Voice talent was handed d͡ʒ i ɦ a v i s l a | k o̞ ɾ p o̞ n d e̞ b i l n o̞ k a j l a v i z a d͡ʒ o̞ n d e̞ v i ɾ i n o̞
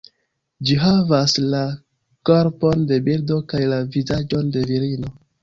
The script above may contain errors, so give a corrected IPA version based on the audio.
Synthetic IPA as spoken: d͡ʒ i ɦ a v a s l a | k o̞ ɾ p o̞ n d e̞ b i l d o̞ k a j l a v i z a d͡ʒ o̞ n d e̞ v i ɾ i n o̞